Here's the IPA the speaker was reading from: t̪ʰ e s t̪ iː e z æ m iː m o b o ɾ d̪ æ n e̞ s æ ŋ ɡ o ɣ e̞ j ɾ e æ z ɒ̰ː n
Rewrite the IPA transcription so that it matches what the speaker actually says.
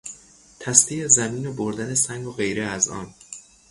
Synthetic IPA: t̪ʰ æ s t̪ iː e z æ m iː n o b o ɾ d̪ æ n e̞ s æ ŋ ɡ o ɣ e̞ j ɾ e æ z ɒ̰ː n